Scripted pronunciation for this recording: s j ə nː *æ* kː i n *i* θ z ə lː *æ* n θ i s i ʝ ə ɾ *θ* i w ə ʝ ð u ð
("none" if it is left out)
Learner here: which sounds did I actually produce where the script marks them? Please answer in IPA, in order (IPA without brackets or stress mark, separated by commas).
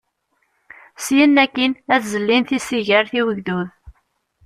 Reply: æ, æ, i, θ